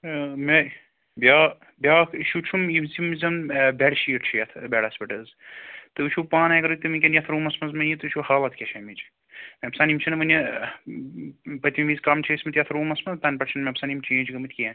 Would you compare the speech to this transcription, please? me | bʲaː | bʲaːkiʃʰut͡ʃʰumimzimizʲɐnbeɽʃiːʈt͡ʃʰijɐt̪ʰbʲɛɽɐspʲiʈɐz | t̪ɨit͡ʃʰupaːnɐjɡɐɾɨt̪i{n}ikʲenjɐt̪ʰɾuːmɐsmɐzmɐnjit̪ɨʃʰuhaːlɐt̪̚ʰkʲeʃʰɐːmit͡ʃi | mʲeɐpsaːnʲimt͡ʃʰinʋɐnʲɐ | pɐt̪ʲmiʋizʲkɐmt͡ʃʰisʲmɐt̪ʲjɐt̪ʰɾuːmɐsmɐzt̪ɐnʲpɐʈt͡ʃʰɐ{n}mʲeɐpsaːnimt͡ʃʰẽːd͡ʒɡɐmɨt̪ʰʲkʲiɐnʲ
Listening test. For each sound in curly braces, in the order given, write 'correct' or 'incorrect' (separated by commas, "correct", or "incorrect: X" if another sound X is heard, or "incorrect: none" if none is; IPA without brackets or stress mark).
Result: incorrect: m, correct